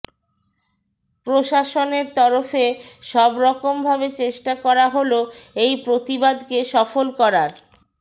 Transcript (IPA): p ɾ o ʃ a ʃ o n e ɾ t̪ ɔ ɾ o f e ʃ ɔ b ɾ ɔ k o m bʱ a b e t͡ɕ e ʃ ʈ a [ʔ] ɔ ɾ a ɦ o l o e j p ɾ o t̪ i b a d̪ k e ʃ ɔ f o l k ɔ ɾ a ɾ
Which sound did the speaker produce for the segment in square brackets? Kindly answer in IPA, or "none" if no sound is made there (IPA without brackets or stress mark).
k